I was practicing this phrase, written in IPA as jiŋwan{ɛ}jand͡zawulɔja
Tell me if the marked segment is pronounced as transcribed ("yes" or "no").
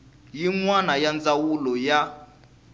no